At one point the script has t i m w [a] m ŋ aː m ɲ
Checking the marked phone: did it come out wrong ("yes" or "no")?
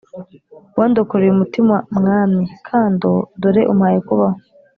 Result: no